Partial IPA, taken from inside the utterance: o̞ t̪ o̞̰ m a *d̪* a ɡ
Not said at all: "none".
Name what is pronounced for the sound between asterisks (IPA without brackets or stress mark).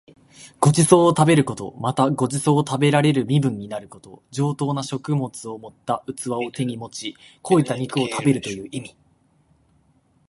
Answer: t̪